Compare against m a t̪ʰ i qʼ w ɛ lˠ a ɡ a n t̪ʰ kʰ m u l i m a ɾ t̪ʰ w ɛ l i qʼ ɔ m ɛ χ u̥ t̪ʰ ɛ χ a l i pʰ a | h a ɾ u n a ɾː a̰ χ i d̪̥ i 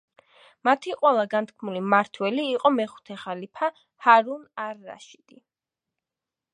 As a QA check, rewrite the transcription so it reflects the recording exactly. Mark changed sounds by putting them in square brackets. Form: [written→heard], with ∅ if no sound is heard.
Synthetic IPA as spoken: m a t̪ʰ i qʼ w ɛ lˠ a ɡ a n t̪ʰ kʰ m u l i m a ɾ t̪ʰ w ɛ l [i→iː] qʼ ɔ m ɛ χ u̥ t̪ʰ ɛ χ a l i pʰ a | h a ɾ u n a ɾː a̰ [χ→ʃ] i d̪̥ i